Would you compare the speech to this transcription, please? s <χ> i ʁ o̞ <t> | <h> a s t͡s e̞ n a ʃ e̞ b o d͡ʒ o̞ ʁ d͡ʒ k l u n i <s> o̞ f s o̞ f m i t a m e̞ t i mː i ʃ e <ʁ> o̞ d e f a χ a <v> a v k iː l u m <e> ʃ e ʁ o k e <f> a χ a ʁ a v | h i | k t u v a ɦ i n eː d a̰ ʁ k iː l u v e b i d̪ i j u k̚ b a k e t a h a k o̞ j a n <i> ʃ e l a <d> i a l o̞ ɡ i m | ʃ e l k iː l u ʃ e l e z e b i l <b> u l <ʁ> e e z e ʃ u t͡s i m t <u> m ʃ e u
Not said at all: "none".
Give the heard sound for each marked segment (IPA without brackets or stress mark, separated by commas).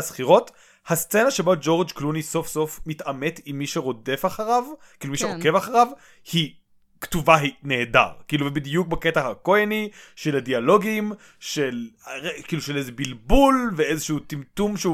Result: χ, t, h, s, ʁ, ʁ, i, v, i, d, b, v, u